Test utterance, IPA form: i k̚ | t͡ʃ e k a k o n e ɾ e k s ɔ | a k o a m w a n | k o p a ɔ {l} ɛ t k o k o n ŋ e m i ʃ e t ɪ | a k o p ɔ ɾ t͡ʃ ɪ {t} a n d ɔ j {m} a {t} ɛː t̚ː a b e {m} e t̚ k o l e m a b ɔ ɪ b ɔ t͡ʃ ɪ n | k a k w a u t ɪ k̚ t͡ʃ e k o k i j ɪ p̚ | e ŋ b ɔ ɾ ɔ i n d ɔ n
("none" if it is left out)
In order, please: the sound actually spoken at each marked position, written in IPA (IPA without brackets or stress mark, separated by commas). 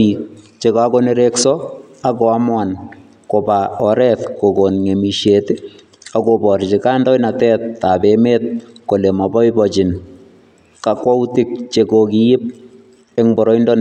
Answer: ɾ, k, n, t, m